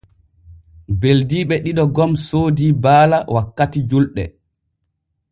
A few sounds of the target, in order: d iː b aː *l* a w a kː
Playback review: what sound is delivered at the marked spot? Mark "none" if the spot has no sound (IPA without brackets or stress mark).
l